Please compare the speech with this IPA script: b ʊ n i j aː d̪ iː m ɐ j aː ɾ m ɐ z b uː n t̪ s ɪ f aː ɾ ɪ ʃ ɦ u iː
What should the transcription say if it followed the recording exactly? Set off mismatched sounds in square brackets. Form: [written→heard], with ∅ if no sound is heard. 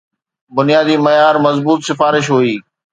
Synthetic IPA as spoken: b ʊ n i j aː d̪ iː m ɐ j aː ɾ m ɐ z b uː [n→∅] t̪ s ɪ f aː ɾ ɪ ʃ ɦ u iː